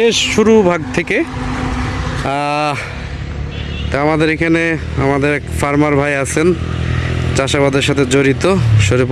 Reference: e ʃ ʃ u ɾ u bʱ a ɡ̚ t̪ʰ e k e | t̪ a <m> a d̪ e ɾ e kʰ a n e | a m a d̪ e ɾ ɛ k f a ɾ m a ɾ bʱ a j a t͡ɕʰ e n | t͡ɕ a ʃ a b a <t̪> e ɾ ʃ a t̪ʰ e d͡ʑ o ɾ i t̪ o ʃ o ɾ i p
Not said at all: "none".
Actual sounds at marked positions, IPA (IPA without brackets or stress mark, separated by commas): m, d̪